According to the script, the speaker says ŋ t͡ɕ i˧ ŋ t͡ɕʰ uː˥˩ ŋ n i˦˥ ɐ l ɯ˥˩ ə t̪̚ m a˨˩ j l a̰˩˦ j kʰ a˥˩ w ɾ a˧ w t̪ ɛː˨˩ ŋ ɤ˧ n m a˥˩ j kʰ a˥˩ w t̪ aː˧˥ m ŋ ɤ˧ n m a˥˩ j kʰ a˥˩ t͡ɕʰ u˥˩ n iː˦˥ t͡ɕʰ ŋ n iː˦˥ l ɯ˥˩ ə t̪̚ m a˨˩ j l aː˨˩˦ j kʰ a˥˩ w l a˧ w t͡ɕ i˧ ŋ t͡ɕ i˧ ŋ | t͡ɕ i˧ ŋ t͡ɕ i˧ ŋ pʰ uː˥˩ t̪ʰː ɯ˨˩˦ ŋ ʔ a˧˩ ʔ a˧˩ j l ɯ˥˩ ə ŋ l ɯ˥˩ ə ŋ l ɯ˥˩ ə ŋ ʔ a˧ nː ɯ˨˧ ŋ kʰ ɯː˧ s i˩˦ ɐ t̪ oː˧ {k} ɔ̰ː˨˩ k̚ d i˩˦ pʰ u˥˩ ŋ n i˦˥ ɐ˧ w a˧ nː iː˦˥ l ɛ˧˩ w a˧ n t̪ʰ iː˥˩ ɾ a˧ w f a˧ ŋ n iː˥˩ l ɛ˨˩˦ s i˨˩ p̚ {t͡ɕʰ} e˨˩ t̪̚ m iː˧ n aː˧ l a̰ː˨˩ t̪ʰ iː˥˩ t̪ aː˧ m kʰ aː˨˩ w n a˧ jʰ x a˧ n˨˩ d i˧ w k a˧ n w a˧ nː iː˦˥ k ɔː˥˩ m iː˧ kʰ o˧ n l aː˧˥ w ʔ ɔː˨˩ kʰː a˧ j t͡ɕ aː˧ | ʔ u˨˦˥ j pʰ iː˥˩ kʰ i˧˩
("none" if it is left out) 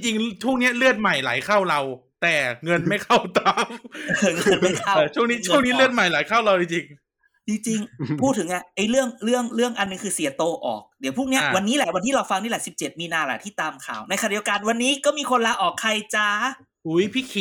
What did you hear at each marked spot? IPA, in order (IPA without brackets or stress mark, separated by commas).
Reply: ʔ, t͡ɕ